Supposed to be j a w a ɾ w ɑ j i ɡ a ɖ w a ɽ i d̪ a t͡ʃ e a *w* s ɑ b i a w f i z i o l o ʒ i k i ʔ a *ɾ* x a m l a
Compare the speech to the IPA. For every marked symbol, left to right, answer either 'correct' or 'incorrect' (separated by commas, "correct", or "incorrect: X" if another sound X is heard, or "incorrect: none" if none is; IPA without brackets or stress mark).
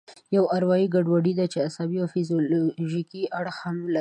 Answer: incorrect: none, incorrect: ɽ